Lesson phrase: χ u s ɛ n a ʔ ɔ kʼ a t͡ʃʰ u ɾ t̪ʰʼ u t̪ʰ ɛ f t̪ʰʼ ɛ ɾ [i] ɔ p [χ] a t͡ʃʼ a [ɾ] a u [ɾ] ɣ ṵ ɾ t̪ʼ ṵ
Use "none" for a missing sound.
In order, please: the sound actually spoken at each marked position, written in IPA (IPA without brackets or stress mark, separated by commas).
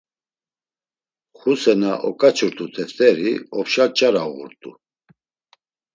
i, ʃ, ɾ, none